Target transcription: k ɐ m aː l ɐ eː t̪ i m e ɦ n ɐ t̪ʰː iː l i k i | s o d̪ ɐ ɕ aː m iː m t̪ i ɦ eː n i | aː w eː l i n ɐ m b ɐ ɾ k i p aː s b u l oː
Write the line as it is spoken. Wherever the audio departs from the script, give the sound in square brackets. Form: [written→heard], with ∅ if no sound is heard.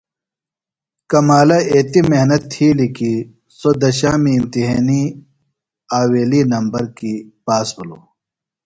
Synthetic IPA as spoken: k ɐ m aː l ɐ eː t̪ i m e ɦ n ɐ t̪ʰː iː l i k i | s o d̪ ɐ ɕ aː m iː m t̪ i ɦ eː n i | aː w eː l i n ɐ m b ɐ ɾ k i p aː s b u l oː